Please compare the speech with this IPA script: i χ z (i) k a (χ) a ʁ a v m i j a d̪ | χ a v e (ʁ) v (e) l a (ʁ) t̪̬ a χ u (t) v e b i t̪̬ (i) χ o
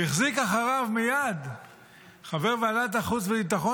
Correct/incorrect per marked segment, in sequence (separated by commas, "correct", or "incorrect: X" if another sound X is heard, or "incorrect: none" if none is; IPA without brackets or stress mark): correct, correct, correct, incorrect: a, incorrect: none, incorrect: t͡s, incorrect: a